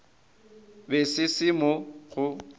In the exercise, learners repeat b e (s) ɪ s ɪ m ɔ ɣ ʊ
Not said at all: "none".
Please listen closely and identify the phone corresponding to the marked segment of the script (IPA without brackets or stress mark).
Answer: s